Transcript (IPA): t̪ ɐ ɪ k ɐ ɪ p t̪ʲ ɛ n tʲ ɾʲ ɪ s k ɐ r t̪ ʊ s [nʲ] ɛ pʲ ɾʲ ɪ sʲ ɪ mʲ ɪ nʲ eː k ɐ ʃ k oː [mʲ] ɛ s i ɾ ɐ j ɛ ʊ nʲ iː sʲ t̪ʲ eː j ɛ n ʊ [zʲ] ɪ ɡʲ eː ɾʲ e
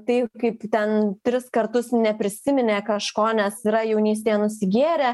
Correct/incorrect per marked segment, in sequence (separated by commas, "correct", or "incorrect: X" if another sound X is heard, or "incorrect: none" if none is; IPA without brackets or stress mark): correct, incorrect: nʲ, incorrect: sʲ